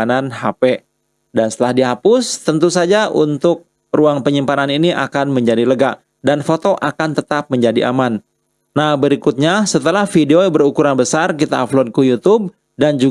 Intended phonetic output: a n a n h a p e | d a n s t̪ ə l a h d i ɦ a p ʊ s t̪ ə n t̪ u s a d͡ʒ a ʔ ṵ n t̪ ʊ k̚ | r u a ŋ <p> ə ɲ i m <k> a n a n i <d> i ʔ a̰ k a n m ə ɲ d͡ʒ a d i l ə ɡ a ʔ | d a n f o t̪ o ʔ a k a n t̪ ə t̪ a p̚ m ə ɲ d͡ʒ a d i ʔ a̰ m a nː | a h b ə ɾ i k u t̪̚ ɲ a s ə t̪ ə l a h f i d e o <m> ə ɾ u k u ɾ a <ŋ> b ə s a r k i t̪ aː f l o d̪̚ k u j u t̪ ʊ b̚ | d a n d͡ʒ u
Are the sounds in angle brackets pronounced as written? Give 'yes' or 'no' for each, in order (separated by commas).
yes, no, no, no, no